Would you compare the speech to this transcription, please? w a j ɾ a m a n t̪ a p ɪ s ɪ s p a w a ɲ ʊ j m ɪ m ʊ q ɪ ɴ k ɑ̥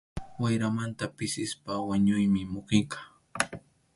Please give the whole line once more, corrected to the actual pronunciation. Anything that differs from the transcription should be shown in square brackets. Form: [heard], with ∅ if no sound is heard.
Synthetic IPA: w a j ɾ a m a n t̪ a p ɪ s ɪ s p a w a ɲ ʊ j m ɪ m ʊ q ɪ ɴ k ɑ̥

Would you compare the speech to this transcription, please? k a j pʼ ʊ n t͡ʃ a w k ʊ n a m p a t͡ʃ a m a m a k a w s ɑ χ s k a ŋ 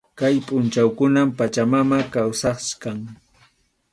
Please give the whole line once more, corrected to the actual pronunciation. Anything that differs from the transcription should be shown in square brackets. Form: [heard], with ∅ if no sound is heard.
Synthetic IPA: k a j pʼ ʊ n t͡ʃ a w k ʊ n a m p a t͡ʃ a m a m a k a w s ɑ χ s k a ŋ

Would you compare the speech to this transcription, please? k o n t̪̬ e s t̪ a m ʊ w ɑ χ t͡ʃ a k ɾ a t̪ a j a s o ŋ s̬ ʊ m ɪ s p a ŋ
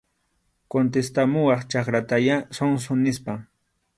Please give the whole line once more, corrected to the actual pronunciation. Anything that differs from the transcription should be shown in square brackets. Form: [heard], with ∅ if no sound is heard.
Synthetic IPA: k o n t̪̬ e s t̪ a m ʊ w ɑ χ t͡ʃ a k ɾ a t̪ a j a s o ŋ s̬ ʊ [n] ɪ s p a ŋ

